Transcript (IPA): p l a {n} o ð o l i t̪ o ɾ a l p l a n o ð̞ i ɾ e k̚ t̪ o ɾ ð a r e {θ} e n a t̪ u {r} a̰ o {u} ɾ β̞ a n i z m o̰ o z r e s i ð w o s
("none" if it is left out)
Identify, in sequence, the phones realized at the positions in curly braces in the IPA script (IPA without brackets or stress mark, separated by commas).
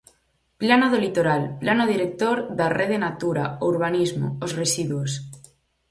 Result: n, ð, ɾ, u